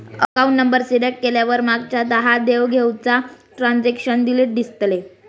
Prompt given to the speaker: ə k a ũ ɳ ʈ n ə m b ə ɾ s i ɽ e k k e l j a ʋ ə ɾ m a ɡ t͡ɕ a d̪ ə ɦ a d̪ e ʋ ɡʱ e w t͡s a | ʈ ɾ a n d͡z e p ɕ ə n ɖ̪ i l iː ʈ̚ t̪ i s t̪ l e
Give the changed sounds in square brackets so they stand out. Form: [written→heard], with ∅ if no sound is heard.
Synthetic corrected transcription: ə k a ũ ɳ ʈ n ə m b ə ɾ s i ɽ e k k e l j a ʋ ə ɾ m a ɡ t͡ɕ a d̪ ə ɦ a d̪ e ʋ ɡʱ e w t͡s a | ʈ ɾ a n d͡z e [p→k] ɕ ə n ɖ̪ i l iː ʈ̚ [t̪→d̪] i s t̪ l e